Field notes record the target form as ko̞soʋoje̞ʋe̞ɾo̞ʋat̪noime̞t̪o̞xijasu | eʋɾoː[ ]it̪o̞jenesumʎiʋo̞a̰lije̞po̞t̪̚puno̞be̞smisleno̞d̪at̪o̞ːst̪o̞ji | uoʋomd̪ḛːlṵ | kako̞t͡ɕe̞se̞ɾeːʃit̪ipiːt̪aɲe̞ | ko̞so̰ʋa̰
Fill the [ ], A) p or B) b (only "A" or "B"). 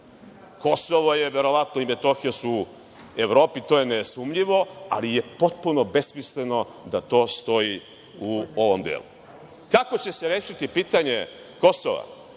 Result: A